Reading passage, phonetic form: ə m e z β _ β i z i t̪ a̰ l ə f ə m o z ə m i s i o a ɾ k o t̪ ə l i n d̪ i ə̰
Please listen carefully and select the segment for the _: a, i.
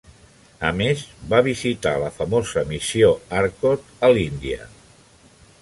a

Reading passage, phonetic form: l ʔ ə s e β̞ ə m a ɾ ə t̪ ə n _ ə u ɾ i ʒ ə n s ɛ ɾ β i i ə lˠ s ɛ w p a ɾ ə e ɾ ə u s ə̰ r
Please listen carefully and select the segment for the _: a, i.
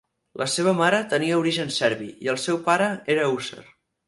i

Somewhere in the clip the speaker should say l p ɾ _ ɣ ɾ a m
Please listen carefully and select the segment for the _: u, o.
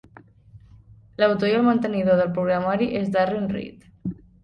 u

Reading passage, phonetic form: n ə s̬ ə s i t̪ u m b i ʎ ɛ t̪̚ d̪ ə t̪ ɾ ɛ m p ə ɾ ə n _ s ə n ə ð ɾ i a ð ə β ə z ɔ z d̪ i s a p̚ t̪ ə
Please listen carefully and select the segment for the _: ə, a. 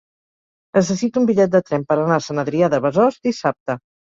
a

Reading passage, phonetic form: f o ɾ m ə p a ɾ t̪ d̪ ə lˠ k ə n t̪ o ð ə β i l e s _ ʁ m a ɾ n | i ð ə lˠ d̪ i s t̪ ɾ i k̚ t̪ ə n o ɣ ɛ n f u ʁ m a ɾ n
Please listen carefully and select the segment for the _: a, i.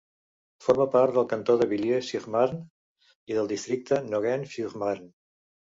i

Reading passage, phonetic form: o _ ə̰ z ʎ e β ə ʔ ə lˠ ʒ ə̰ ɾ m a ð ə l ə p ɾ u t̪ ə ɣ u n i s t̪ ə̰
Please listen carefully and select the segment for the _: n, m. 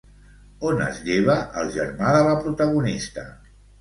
n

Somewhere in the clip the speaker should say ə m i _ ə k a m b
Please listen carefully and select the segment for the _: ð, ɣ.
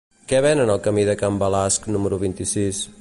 ð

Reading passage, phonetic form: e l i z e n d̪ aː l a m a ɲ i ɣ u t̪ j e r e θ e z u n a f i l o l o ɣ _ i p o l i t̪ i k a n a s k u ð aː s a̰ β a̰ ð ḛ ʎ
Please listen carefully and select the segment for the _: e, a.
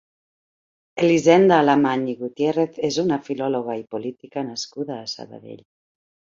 a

